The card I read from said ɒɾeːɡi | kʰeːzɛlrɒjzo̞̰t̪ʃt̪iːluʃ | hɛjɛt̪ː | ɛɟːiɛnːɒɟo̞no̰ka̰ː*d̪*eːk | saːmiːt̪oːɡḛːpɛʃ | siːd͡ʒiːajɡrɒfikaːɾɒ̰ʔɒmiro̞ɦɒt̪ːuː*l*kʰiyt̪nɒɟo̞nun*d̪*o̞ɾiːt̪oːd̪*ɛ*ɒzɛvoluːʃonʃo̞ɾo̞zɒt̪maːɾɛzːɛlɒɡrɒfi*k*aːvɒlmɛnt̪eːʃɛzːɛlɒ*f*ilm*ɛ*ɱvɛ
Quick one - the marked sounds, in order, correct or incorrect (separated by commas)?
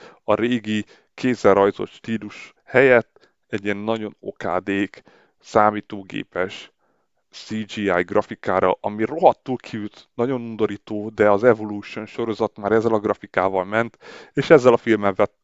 correct, correct, correct, correct, correct, correct, correct